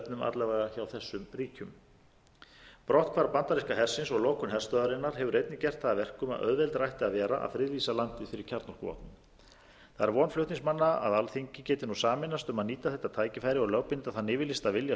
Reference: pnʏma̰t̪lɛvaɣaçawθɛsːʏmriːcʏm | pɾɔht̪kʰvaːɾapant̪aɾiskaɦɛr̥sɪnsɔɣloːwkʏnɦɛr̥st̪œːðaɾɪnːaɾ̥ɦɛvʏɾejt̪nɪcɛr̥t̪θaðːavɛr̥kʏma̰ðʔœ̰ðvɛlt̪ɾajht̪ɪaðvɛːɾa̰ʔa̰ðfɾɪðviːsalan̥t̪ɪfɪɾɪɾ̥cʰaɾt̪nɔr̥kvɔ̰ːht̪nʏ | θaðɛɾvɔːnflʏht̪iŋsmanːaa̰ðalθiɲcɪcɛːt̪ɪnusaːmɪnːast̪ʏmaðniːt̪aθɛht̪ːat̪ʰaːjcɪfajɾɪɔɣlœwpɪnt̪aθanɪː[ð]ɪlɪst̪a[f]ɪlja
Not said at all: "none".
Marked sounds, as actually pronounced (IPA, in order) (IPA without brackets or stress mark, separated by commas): v, v